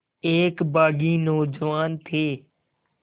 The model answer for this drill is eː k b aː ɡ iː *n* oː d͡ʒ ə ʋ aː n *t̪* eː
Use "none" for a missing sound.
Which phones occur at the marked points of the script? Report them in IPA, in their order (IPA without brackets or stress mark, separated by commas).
n, t̪ʰ